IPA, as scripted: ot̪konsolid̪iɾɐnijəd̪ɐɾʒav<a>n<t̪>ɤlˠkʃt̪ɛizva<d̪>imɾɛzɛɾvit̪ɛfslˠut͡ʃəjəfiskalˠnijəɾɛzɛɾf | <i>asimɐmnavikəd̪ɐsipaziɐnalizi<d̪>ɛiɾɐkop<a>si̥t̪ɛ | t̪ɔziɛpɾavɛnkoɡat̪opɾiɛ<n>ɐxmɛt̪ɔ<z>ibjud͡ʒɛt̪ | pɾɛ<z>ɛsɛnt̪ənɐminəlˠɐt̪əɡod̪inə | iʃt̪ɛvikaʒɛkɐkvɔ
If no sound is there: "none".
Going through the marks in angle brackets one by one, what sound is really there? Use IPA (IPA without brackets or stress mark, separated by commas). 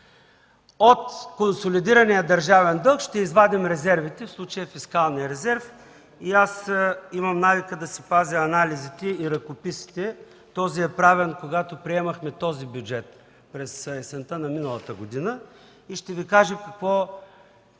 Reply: ɛ, d̪, d̪, i, t̪, i, m, z, s